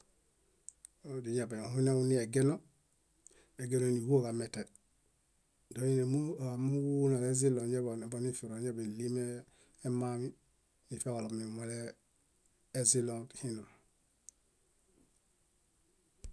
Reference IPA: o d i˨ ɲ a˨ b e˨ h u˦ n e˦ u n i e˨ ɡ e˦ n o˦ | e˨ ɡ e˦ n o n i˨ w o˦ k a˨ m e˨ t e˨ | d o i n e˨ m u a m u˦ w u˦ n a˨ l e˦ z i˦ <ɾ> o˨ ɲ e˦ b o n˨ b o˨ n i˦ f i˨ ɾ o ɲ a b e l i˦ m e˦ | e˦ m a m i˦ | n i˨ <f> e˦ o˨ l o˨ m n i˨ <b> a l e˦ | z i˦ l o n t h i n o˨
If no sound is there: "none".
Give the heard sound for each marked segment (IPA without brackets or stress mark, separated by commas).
l, f, m